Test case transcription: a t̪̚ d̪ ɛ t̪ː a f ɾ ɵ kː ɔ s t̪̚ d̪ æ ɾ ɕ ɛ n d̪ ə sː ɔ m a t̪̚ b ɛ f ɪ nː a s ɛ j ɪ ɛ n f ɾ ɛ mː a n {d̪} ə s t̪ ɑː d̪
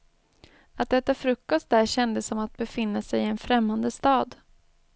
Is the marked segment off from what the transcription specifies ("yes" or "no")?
no